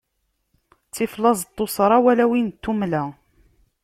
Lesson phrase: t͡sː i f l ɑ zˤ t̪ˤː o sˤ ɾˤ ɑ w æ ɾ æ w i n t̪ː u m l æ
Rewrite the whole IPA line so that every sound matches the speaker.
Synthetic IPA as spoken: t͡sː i f l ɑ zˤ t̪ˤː o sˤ ɾˤ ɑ w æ l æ w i n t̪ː u m l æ